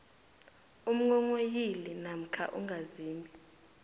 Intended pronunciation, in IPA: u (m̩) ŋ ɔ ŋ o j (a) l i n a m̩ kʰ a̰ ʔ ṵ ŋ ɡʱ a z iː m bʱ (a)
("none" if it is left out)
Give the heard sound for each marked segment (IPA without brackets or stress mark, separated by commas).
m̩, i, i